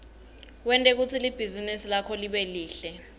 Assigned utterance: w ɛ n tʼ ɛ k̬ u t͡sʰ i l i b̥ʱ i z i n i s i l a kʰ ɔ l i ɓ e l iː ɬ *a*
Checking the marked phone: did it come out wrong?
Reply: yes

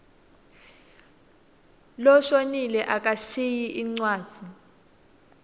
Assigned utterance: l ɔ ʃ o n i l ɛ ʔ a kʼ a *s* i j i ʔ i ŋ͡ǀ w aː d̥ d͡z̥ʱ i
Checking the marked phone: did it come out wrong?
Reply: yes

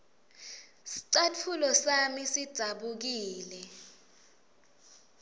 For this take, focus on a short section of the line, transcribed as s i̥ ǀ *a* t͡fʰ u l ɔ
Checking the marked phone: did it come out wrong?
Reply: no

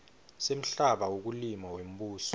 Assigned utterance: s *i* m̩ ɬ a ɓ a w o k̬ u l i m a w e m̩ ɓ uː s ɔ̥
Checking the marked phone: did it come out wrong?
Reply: yes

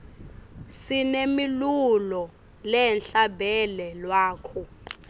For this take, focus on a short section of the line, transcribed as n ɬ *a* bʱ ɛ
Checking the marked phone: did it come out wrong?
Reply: no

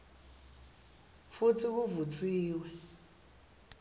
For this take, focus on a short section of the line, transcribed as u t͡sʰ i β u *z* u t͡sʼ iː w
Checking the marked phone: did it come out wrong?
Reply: yes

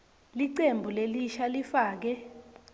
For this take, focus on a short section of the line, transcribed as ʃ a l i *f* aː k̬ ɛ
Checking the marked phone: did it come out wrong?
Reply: no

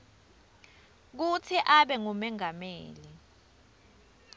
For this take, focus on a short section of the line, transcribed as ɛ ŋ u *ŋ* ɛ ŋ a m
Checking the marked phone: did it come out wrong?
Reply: yes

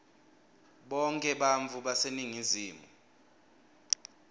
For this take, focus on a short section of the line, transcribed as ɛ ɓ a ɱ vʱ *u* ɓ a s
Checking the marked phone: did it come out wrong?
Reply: no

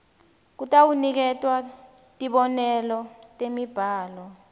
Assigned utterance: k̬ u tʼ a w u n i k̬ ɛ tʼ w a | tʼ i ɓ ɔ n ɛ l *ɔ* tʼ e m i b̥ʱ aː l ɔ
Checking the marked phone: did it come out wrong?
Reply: no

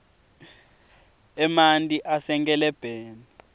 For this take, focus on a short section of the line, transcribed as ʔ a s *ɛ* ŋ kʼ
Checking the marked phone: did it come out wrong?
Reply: no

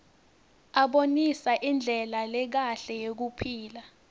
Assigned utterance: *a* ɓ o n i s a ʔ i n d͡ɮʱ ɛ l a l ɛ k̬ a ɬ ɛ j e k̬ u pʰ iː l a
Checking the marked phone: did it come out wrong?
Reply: no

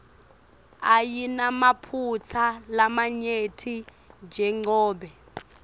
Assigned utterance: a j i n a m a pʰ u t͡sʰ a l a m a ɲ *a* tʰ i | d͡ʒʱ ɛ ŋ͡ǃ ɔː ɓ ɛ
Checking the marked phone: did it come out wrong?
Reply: yes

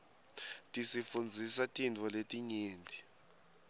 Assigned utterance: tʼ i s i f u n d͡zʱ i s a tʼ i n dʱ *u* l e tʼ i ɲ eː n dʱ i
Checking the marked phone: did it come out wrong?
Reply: yes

